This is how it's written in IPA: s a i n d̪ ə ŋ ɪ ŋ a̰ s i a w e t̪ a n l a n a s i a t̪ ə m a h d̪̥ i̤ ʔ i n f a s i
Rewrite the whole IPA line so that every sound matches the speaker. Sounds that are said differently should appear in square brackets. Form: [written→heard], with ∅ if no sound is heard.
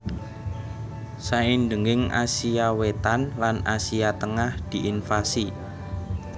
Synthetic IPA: s a i n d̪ ə ŋ ɪ ŋ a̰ s i a w e t̪ a n l a n a s i a t̪ ə [m→ŋ] a h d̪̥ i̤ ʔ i n f a s i